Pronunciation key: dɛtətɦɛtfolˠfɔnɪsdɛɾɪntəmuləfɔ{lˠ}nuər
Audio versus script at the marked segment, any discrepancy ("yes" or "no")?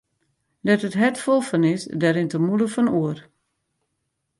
yes